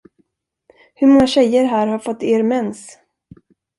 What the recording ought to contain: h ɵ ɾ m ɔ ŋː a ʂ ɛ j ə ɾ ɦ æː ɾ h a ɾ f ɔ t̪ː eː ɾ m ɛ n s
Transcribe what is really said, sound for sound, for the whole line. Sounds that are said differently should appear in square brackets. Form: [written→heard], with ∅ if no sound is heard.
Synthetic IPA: h ɵ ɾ m ɔ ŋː a [ʂ→ɕ] ɛ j ə ɾ ɦ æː ɾ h a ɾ f ɔ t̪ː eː ɾ m ɛ n s